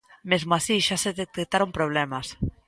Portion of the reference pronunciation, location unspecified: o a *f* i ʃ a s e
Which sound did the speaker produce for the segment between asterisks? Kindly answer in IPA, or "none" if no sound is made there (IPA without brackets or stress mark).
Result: s